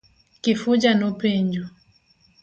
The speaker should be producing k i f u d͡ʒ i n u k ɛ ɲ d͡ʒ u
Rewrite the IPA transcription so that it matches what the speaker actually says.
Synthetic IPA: k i f u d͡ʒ a n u p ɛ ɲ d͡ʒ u